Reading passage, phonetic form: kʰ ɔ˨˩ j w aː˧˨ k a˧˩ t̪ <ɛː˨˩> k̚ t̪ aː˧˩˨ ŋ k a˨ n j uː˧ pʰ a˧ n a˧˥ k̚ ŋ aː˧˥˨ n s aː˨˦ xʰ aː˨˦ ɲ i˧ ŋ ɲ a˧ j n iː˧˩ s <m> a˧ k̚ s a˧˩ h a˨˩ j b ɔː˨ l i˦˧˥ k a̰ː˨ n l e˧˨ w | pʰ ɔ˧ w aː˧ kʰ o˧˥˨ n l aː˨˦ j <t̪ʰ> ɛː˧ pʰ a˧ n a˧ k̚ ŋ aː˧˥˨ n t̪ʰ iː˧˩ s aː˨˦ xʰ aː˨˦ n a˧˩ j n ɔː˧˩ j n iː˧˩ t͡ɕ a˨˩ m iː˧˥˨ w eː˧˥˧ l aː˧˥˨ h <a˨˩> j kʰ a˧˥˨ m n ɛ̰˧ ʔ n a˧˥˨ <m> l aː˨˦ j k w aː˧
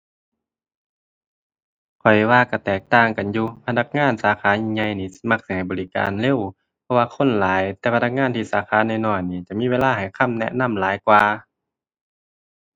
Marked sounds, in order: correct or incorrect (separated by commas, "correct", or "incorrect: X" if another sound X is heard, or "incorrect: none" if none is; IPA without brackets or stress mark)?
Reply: correct, correct, incorrect: t̪, correct, correct